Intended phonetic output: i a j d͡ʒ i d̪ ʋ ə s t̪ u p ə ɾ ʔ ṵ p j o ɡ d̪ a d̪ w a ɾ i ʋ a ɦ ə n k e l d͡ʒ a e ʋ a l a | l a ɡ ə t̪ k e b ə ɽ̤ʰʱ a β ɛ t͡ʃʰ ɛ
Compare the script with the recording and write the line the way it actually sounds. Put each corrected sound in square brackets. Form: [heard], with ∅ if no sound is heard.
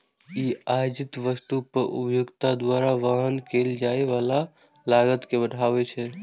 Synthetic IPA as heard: i a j d͡ʒ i [t̪] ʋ ə s t̪ u p ə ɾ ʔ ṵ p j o ɡ [t̪] a d̪ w a ɾ [a] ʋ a ɦ ə n k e l d͡ʒ a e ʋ a l a | l a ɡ ə t̪ k e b ə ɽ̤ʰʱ a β ɛ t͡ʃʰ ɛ